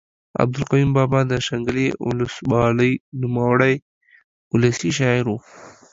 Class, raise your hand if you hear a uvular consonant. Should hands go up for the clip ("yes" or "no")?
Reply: yes